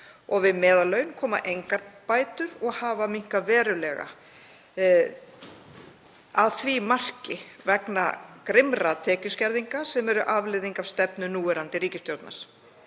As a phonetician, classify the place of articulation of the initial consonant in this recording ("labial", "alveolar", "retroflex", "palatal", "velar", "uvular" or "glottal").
velar